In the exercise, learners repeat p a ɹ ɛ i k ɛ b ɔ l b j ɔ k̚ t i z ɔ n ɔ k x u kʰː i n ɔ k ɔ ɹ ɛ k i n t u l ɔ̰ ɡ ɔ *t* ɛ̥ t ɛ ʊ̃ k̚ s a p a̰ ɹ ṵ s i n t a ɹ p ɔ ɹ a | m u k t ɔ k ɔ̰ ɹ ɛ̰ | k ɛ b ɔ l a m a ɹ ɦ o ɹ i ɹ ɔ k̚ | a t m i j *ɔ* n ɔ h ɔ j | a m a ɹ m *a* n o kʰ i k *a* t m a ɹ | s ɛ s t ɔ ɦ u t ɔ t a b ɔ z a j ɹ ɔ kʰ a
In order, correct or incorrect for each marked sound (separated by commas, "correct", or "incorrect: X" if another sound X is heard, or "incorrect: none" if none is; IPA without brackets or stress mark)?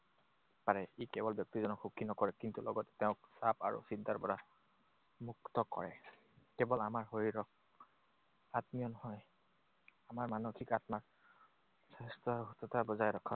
correct, correct, correct, correct